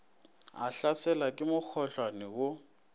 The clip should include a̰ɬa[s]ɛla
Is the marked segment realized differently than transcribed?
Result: no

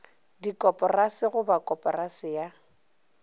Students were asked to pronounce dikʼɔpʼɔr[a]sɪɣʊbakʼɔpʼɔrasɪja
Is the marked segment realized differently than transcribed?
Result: no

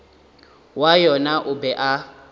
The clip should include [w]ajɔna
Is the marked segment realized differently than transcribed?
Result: no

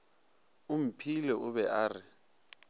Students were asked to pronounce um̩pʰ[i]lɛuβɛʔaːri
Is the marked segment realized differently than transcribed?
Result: no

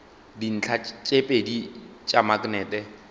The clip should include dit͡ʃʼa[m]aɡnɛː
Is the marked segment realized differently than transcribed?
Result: no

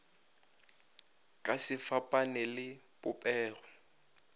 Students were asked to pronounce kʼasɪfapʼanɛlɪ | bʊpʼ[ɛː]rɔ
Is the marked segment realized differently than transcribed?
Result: no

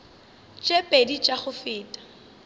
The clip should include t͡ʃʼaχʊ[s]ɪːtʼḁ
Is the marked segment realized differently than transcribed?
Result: yes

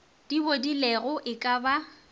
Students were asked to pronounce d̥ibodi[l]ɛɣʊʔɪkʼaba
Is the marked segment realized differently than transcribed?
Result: no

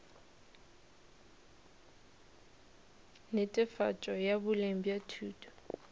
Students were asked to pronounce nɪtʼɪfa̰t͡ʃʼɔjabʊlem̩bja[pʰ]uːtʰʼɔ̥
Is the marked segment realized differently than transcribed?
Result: yes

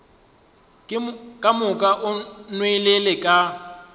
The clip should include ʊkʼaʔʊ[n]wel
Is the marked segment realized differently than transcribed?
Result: no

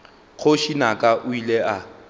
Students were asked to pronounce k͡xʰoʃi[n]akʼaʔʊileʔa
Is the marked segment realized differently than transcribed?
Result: no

